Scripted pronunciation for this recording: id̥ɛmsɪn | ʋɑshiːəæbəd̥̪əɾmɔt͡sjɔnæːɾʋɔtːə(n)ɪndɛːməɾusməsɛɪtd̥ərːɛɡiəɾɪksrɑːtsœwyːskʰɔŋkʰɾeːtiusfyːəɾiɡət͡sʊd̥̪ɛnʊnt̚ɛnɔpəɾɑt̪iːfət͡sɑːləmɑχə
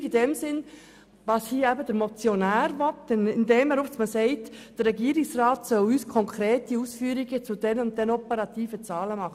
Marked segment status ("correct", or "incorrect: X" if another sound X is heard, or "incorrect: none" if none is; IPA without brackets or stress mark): correct